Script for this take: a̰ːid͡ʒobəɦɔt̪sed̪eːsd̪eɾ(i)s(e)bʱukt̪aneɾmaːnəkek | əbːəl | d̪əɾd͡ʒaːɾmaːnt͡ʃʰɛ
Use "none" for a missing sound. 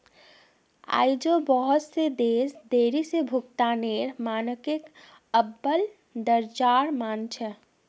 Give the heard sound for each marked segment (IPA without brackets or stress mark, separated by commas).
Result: i, e